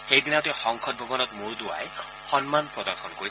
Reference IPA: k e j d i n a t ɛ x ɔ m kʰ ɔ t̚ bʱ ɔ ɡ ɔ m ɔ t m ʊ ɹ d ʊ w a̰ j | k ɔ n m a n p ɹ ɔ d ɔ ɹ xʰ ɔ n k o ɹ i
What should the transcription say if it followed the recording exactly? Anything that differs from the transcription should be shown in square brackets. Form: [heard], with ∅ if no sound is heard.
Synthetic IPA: [x] e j d i n a t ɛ x ɔ [ŋ] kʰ ɔ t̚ bʱ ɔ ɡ ɔ [n] ɔ t m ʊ ɹ d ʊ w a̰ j | [x] ɔ n m a n p ɹ ɔ d ɔ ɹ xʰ ɔ n k o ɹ i